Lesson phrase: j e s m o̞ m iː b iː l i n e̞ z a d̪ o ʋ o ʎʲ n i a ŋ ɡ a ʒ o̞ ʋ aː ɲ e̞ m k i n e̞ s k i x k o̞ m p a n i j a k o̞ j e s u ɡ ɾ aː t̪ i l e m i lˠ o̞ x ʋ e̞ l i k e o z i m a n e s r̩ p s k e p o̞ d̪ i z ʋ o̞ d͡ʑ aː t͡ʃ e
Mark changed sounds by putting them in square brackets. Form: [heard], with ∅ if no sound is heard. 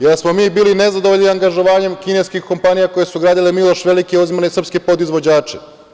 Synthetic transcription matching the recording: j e s m o̞ m iː b iː l i n e̞ z a d̪ o ʋ o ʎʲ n i a ŋ ɡ a ʒ o̞ ʋ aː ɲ e̞ m k i n e̞ s k i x k o̞ m p a n i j a k o̞ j e s u ɡ ɾ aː [d̪] i l e m i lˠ o̞ [ʃ] ʋ e̞ l i k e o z i m a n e s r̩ p s k e p o̞ d̪ i z ʋ o̞ d͡ʑ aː t͡ʃ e